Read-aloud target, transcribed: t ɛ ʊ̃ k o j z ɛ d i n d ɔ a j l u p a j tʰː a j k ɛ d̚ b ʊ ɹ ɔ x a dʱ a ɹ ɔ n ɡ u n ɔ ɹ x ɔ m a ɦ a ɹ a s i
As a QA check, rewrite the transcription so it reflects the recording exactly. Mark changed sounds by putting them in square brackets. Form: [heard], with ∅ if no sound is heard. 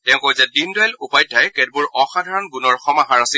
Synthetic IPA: t ɛ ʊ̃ k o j z ɛ d i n d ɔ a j l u p a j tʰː a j k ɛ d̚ b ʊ ɹ ɔ x a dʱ a ɹ ɔ n ɡ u n ɔ ɹ x ɔ m a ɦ a ɹ a s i